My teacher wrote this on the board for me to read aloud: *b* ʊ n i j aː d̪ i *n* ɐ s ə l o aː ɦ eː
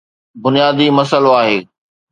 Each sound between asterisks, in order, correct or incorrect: correct, incorrect: m

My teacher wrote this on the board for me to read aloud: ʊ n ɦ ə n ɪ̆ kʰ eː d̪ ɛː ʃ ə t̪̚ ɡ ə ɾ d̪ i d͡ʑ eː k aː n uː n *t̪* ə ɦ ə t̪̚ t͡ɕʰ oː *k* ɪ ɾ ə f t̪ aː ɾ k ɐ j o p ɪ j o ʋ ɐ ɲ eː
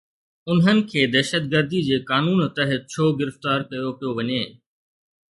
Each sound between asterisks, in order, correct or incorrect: correct, incorrect: ɡ

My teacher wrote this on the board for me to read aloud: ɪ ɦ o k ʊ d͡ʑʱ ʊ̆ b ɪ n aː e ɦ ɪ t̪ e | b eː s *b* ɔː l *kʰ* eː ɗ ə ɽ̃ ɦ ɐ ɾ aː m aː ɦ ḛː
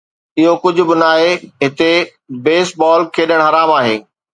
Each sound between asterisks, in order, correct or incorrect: correct, correct

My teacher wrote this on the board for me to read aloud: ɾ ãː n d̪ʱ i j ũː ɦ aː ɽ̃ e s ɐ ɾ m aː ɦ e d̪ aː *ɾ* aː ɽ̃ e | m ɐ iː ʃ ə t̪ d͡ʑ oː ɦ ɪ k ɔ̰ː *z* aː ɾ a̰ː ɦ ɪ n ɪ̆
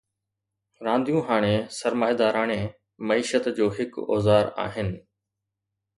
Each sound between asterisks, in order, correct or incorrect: correct, correct

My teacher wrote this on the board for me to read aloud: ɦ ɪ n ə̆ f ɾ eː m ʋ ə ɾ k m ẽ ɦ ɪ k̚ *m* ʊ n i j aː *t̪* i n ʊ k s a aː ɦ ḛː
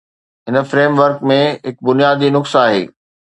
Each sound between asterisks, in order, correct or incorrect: incorrect: b, incorrect: d̪

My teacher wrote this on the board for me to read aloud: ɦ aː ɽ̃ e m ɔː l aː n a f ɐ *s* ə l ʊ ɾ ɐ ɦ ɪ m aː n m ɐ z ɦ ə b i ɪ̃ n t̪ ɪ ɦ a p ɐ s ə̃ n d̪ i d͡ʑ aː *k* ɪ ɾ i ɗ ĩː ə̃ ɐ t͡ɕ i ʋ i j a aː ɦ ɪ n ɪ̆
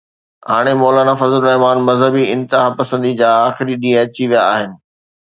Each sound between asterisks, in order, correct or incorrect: incorrect: z, incorrect: x

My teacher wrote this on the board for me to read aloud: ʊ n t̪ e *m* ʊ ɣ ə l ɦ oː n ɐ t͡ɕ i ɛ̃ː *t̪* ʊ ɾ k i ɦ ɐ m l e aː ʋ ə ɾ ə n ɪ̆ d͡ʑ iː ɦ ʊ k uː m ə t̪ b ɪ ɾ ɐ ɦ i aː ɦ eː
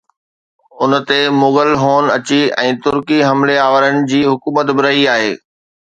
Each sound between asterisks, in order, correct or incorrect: correct, correct

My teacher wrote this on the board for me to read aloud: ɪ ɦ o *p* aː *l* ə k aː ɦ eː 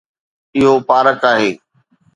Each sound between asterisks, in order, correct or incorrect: correct, incorrect: ɾ

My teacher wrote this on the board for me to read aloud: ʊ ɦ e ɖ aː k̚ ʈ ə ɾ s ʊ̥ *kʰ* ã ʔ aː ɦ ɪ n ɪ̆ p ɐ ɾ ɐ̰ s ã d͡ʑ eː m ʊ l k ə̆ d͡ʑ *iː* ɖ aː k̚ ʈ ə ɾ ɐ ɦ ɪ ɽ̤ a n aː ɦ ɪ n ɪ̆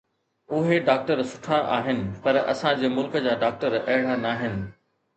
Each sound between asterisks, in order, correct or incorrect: incorrect: ʈʰ, incorrect: aː

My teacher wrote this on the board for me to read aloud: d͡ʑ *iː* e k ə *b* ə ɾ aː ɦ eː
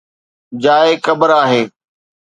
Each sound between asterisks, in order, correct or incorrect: incorrect: aː, correct

